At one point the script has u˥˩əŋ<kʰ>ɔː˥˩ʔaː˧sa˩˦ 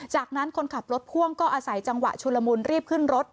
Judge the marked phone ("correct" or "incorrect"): incorrect